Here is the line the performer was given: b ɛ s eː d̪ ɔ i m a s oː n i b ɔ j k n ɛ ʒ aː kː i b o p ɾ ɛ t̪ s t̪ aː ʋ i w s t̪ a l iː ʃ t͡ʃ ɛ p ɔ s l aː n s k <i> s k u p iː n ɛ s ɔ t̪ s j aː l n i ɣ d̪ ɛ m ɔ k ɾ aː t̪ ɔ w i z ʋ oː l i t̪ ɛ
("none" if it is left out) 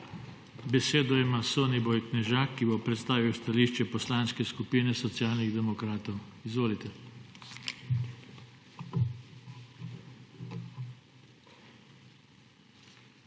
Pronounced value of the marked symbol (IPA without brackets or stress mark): ɛ